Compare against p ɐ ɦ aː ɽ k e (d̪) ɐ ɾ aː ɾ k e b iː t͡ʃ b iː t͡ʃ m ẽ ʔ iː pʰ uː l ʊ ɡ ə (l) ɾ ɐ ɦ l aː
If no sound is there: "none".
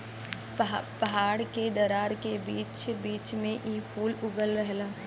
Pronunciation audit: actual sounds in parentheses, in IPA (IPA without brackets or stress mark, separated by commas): d̪, l